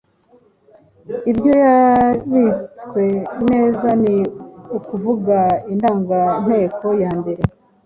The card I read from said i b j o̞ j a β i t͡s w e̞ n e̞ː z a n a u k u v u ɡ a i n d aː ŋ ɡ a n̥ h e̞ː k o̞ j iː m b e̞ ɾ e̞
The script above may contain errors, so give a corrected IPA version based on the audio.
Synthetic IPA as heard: i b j o̞ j a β i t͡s w e̞ n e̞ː z a n i u k u v u ɡ a i n d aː ŋ ɡ a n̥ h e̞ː k o̞ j aː m b e̞ ɾ e̞